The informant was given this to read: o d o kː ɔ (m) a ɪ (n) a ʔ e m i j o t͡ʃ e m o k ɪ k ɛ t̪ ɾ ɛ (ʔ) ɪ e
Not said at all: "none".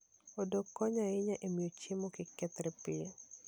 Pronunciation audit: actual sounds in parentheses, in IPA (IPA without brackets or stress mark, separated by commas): ɲ, ɲ, p